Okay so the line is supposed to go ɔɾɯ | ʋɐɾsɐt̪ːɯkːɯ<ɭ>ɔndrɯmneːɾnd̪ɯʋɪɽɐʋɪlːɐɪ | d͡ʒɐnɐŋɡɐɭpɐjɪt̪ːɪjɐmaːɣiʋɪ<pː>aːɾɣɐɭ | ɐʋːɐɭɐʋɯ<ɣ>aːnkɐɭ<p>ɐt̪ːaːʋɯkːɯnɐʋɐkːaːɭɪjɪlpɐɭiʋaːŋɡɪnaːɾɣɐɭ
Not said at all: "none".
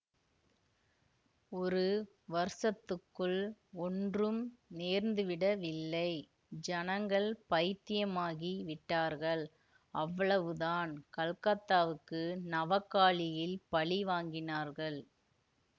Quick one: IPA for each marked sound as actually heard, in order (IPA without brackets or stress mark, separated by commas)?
ɭ, ʈː, ð, k